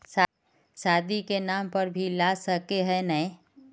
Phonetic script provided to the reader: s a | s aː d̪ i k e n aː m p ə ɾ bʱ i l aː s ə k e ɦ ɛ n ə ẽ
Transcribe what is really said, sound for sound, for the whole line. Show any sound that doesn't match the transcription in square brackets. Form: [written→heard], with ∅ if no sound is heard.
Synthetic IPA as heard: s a | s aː d̪ i k e n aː m p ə ɾ bʱ i l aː s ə k e ɦ ɛ n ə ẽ